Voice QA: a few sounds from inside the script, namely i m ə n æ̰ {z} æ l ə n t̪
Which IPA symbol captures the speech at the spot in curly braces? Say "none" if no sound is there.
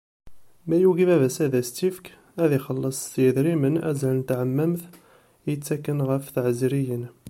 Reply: z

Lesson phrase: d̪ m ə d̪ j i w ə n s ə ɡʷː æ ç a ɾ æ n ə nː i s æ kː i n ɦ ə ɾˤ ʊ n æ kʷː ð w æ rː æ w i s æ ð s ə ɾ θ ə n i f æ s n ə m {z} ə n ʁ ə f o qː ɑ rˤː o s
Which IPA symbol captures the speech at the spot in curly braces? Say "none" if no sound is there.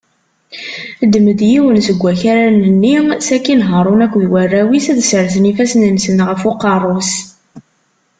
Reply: s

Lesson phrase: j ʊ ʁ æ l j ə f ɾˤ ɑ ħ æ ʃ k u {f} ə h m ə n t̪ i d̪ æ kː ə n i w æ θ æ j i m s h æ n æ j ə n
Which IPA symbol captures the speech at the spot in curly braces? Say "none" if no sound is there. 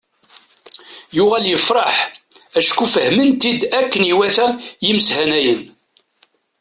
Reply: f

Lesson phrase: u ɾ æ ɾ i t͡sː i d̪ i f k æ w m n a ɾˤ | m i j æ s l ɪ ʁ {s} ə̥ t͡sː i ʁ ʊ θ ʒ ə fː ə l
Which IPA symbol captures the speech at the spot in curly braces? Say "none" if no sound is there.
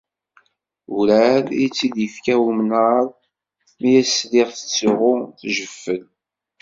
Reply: θ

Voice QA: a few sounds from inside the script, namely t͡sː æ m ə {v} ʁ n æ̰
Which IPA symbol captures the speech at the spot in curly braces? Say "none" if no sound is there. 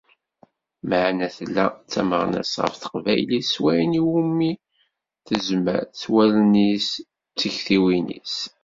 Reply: none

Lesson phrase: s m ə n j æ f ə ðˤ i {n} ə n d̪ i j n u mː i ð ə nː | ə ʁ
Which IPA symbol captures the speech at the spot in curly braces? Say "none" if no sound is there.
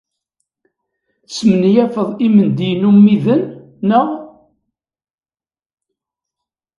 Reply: m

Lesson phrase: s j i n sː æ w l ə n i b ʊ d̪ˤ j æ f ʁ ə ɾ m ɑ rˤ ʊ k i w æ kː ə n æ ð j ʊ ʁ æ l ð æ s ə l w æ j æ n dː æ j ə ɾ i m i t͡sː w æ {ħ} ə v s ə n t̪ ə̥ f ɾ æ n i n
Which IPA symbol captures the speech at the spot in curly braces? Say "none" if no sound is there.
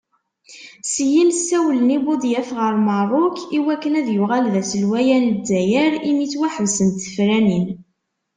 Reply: ħ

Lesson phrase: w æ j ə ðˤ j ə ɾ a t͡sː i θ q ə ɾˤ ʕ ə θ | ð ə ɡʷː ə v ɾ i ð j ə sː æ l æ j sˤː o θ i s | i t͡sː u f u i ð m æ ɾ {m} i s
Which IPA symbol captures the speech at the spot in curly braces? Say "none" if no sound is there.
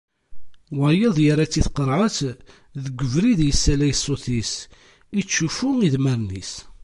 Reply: n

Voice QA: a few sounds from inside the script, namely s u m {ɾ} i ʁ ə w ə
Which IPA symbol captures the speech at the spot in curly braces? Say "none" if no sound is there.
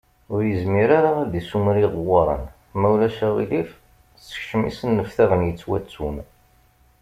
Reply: ɾ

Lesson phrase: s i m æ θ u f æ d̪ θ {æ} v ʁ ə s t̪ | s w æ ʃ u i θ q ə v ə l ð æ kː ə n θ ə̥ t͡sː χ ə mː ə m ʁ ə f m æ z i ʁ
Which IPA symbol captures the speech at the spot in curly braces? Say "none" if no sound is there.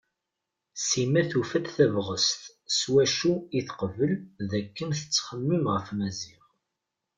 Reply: æ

